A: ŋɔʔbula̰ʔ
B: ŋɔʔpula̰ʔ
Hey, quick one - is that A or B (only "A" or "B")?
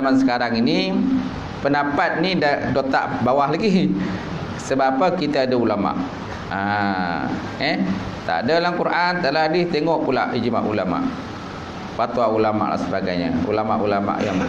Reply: B